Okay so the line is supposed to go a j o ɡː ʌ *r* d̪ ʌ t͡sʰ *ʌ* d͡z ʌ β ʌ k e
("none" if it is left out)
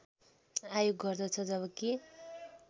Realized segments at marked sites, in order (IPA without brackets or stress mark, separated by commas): r, ʌ